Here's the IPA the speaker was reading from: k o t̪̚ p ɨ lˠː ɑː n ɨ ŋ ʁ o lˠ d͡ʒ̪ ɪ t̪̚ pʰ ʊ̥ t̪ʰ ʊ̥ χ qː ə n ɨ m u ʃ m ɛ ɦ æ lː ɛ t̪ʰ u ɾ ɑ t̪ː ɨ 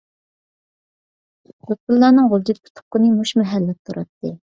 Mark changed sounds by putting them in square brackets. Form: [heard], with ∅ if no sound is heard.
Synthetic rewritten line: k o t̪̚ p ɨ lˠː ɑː n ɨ ŋ ʁ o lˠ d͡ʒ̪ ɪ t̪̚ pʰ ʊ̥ t̪ʰ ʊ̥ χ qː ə n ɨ m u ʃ m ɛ ɦ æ lː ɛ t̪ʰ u ɾ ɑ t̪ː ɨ

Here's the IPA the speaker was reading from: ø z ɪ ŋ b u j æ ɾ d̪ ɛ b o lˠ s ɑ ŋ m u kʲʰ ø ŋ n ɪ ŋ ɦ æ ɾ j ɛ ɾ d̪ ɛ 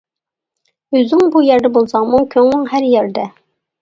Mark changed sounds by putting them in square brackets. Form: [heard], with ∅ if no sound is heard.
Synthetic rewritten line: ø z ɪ ŋ b u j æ ɾ d̪ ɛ b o lˠ s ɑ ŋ m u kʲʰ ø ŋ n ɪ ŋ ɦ æ ɾ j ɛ ɾ d̪ ɛ

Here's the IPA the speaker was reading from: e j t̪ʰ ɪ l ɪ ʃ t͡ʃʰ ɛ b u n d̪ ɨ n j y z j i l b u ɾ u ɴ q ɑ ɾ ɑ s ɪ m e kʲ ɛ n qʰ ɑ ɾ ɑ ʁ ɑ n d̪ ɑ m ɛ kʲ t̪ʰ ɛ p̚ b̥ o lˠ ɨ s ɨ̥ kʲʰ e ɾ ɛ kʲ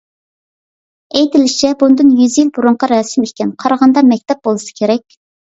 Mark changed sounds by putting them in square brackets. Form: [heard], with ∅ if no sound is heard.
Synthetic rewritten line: e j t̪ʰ ɪ l ɪ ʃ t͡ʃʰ ɛ b u n d̪ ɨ n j y z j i l b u ɾ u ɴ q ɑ ɾ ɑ s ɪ m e kʲ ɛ n qʰ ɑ ɾ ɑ ʁ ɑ n d̪ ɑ m ɛ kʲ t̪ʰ ɛ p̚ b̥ o lˠ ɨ s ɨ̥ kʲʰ e ɾ ɛ kʲ

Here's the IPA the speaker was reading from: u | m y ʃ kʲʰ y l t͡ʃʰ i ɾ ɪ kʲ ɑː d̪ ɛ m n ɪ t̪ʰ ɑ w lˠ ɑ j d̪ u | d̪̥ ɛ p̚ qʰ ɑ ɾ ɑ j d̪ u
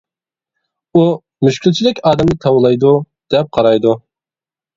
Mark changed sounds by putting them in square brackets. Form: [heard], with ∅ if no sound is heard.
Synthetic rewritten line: u | m y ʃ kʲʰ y l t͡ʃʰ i [l] ɪ kʲ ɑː d̪ ɛ m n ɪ t̪ʰ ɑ w lˠ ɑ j d̪ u | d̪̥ ɛ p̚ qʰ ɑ ɾ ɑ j d̪ u

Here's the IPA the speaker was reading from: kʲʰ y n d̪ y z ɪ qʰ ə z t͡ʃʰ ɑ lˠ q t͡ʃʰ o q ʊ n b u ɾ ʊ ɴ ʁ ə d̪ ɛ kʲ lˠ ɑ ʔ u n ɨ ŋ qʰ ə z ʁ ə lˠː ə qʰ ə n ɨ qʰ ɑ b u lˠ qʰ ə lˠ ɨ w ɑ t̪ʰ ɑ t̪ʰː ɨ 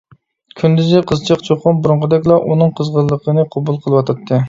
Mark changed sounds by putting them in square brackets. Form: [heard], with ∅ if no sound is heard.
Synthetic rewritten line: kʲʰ y n d̪ y z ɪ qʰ ə z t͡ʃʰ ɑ [∅] q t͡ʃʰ o q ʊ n b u ɾ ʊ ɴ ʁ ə d̪ ɛ kʲ lˠ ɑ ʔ u n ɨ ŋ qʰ ə z ʁ ə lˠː ə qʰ ə n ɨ qʰ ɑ b u lˠ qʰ ə lˠ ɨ w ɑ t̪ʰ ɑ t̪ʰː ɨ

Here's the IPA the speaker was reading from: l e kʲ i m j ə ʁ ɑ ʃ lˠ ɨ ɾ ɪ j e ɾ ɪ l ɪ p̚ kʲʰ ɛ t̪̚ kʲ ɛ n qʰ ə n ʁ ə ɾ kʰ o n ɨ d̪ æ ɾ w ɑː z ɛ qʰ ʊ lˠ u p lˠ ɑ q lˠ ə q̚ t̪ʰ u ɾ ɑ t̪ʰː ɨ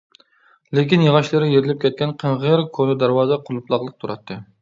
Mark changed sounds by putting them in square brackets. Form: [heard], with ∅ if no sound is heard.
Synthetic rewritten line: l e kʲ i [n] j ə ʁ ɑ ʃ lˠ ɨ ɾ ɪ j e ɾ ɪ l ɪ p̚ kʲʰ ɛ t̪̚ kʲ ɛ n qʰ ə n ʁ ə ɾ kʰ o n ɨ d̪ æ ɾ w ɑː z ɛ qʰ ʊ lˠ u p lˠ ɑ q lˠ ə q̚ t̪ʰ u ɾ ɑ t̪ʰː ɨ

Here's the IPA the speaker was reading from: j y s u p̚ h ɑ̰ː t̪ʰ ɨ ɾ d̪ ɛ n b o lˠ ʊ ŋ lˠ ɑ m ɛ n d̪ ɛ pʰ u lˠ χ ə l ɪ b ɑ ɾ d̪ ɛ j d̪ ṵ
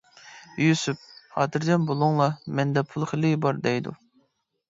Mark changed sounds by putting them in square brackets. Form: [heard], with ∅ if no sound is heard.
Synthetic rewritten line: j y s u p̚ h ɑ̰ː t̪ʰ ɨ ɾ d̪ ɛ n b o lˠ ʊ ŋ lˠ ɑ m ɛ n d̪ ɛ pʰ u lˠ χ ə l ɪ b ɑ ɾ d̪ ɛ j d̪ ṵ

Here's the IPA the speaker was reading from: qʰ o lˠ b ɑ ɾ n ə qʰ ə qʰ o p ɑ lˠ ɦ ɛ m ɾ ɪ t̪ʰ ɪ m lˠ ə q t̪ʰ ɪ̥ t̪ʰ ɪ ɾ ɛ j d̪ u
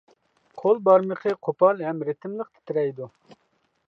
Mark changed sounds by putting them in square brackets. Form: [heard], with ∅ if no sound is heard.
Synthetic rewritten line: qʰ o lˠ b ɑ ɾ [m] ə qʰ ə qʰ o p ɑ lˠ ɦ ɛ m ɾ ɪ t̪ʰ ɪ m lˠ ə q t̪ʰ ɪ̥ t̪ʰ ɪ ɾ ɛ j d̪ u

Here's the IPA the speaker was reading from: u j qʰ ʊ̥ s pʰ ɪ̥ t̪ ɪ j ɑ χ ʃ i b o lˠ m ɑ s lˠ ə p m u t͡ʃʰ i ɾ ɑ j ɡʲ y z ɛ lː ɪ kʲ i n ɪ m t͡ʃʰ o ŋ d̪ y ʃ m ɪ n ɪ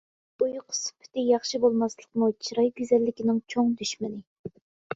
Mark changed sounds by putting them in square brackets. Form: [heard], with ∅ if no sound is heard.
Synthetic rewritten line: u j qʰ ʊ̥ s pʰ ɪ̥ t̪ ɪ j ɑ χ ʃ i b o lˠ m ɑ s lˠ ə [q] m u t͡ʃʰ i ɾ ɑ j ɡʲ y z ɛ lː ɪ kʲ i n ɪ [ŋ] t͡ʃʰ o ŋ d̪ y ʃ m ɪ n ɪ

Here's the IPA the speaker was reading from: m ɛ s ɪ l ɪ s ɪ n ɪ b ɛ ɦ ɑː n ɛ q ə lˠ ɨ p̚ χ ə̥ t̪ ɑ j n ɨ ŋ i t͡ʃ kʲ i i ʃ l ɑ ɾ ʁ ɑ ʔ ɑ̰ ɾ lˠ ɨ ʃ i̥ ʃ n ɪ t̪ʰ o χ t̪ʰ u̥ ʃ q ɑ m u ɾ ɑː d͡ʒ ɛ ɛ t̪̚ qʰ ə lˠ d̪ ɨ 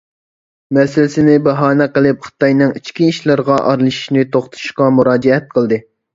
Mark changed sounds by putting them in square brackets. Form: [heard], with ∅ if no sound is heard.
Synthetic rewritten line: m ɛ s ɪ l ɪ s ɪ n ɪ b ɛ ɦ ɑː n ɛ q ə lˠ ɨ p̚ χ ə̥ t̪ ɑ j n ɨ ŋ i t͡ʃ kʲ i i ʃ l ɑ ɾ ʁ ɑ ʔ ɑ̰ ɾ lˠ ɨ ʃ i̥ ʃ n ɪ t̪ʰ o χ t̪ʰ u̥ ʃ q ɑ m u ɾ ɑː d͡ʒ ɛ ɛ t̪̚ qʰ ə lˠ d̪ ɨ

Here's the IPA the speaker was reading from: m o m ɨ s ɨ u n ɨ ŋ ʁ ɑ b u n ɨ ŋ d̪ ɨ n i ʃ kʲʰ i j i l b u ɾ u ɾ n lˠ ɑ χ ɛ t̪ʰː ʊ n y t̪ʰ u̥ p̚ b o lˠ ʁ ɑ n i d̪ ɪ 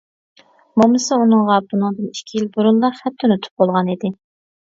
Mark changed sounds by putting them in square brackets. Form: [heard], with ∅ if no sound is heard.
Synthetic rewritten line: m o m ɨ s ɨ u n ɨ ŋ ʁ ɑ b u n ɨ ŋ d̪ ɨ n i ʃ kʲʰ i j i l b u ɾ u [∅] n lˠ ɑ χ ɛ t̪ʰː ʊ n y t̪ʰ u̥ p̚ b o lˠ ʁ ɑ n i d̪ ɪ

